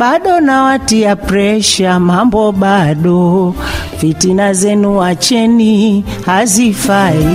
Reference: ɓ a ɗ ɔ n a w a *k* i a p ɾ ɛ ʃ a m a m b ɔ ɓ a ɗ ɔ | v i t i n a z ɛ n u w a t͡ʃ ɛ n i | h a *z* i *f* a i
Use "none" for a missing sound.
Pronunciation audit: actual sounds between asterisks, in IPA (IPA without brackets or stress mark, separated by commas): t, z, f